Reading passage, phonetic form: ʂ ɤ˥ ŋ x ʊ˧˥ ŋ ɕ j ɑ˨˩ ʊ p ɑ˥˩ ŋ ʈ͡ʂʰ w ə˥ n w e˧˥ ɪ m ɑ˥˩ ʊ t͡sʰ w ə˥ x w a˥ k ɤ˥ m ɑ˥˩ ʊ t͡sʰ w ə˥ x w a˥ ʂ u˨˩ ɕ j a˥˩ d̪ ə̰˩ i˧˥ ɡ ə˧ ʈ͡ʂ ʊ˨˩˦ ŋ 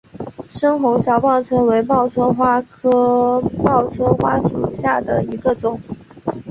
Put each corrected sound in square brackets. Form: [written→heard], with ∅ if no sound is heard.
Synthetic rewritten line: ʂ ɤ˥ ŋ x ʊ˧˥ ŋ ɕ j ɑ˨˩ ʊ p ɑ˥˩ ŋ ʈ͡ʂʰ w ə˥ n w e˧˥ ɪ m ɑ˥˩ ʊ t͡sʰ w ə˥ x w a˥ [k→kʰ] ɤ˥ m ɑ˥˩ ʊ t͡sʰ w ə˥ x w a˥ ʂ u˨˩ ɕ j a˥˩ d̪ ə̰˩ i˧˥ ɡ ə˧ ʈ͡ʂ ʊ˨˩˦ ŋ